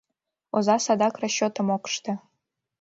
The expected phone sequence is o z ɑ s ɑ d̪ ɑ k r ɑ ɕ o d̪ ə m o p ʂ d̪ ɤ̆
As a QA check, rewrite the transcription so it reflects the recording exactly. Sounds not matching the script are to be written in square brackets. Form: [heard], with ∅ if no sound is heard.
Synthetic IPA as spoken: o z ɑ s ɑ d̪ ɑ k r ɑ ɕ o [t̪] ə m o [k] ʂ [t̪] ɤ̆